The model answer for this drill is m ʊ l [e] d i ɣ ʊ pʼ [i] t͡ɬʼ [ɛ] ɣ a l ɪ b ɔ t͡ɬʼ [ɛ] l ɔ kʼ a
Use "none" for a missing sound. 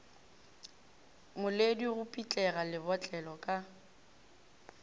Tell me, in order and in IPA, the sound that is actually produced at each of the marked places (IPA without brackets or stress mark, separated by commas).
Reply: e, i, ɛ, ɛ